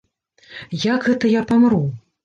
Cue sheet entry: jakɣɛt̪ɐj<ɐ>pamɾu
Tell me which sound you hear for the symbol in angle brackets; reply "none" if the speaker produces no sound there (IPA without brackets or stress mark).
a